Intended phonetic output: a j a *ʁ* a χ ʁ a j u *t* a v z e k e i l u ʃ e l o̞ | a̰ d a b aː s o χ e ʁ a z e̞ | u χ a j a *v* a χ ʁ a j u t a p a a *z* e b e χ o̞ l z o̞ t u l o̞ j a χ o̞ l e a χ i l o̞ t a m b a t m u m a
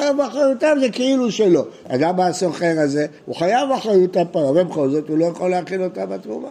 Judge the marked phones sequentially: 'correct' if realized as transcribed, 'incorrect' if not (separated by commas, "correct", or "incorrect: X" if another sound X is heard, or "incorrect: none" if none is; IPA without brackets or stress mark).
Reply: incorrect: v, correct, correct, incorrect: v